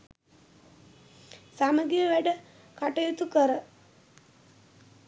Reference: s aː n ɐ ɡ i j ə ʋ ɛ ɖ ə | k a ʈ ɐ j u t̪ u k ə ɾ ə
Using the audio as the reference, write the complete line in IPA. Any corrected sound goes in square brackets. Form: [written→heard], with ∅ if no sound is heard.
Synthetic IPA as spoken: s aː [n→m] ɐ ɡ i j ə ʋ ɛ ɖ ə | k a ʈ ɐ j u t̪ u k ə ɾ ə